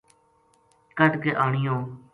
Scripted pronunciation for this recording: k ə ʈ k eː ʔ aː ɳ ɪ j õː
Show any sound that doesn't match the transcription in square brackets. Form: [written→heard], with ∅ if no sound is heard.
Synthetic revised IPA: k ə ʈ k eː ʔ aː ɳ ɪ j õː